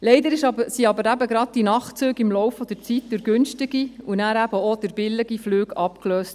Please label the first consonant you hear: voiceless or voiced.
voiced